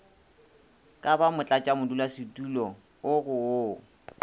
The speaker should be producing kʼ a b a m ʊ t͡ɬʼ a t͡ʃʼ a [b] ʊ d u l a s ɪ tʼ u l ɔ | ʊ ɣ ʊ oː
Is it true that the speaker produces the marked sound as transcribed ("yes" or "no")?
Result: no